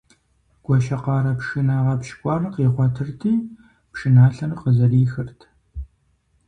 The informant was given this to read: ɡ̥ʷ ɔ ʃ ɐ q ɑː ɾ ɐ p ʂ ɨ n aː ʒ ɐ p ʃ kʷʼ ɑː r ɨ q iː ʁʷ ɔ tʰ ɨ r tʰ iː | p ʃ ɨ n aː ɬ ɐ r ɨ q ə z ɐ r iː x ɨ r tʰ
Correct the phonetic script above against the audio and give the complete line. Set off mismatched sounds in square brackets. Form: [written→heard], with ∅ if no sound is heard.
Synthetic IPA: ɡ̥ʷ ɔ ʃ ɐ q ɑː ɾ ɐ p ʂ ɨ n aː [ʒ→ʁ] ɐ p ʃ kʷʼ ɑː r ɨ q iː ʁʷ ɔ tʰ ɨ r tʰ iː | p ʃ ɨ n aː ɬ ɐ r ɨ q ə z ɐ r iː x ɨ r tʰ